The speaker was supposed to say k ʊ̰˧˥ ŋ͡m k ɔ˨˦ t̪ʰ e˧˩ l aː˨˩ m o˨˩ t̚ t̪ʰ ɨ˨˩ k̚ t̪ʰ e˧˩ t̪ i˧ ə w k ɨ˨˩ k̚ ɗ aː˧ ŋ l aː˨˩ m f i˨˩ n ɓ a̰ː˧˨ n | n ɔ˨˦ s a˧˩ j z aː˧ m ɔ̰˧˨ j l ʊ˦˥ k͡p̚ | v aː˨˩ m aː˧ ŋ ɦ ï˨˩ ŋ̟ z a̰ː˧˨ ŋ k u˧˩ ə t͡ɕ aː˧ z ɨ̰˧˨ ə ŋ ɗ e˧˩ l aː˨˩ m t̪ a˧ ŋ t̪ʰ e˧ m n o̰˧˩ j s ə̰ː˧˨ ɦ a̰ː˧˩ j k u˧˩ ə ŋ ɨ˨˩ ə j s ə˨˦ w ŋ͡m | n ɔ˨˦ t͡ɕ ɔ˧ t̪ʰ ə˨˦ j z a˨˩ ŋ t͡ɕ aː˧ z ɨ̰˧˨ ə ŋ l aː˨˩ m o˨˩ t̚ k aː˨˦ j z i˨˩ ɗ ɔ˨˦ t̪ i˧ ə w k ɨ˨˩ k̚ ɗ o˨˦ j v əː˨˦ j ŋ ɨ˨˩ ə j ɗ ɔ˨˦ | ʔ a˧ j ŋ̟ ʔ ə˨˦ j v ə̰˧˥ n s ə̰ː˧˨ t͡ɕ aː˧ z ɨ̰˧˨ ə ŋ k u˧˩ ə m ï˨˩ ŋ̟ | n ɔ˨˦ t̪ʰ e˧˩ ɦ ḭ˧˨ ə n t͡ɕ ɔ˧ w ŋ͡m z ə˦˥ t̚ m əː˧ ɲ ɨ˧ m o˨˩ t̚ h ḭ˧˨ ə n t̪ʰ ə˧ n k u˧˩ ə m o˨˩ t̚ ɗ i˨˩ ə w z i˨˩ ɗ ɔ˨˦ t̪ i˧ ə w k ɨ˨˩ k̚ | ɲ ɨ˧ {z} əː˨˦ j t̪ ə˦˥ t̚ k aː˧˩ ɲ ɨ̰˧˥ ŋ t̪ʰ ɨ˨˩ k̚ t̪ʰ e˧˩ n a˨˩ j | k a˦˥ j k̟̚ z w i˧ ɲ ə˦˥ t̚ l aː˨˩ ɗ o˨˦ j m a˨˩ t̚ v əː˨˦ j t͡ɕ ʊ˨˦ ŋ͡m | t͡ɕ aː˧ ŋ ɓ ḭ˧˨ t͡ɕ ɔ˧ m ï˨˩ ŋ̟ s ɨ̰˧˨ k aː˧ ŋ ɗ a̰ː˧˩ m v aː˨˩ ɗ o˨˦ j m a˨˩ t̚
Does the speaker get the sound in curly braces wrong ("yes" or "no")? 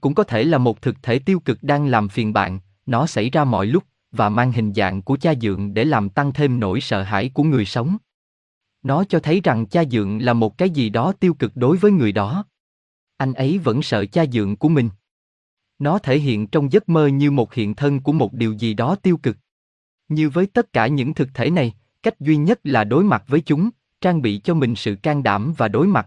yes